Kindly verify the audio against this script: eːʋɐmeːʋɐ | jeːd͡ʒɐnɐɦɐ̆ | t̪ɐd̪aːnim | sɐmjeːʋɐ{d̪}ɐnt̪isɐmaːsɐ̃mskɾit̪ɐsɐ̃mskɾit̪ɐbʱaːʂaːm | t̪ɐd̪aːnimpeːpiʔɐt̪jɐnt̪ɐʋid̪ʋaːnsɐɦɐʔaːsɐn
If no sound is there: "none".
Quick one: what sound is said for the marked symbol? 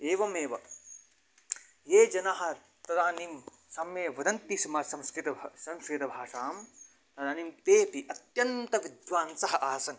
d̪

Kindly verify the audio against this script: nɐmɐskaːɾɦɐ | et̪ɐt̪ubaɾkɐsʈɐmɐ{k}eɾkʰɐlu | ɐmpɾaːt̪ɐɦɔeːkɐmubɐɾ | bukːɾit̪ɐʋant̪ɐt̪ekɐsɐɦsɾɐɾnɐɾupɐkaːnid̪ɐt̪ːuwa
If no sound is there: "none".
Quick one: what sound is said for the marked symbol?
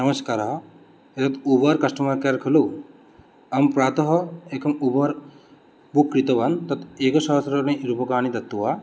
k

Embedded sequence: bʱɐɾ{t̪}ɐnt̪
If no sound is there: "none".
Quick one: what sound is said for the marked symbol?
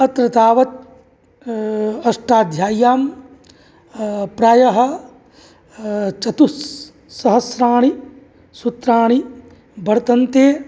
t̪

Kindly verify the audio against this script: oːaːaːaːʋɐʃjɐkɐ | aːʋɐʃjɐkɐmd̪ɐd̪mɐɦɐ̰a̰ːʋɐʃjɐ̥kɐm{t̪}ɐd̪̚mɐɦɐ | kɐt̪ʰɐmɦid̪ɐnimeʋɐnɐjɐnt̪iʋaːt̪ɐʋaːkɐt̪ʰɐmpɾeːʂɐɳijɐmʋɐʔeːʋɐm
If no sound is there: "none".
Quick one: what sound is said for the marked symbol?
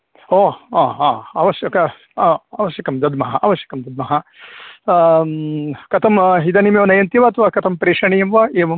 d̪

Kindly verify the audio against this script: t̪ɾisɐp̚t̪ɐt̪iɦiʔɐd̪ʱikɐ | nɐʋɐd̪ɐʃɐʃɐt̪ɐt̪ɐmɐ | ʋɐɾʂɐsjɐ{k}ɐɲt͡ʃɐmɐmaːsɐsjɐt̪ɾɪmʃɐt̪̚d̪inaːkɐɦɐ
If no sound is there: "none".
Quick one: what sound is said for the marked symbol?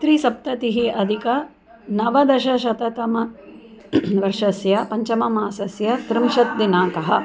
p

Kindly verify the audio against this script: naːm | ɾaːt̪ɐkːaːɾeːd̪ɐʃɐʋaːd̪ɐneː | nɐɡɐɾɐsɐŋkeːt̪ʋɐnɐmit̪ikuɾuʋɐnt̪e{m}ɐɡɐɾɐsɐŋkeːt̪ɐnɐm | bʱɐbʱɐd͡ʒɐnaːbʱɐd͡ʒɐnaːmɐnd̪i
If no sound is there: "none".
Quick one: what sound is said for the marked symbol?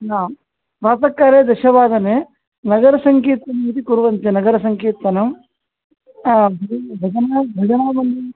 n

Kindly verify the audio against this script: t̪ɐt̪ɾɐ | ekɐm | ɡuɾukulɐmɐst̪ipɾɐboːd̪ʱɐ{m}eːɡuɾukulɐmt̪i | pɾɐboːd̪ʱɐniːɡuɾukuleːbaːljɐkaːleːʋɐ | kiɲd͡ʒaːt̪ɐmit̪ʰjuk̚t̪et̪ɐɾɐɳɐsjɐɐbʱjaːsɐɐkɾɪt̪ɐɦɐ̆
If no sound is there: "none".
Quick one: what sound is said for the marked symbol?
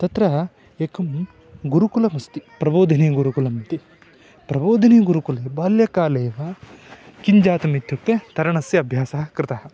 n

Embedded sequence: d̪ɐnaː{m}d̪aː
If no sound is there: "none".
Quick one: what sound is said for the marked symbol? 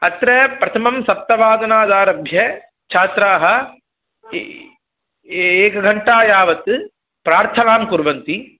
none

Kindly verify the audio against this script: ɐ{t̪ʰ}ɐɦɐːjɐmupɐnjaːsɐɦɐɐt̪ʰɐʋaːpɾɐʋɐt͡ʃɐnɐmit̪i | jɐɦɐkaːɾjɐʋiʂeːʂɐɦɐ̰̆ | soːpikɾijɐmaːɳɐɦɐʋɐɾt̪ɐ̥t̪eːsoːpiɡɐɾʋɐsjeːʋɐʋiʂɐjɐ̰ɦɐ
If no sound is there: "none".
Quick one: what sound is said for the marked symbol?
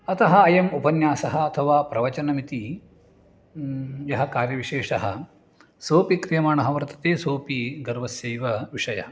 t̪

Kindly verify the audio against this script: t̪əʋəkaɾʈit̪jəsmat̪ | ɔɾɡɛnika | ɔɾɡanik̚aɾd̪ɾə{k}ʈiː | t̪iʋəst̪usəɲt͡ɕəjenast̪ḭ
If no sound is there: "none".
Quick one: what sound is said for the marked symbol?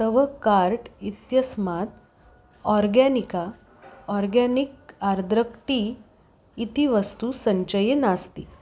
k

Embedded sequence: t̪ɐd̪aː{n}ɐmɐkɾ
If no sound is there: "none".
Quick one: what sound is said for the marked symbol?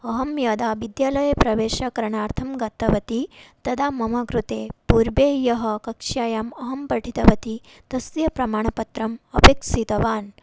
m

